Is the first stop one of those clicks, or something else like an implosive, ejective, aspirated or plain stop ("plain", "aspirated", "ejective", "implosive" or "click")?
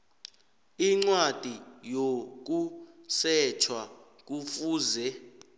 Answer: click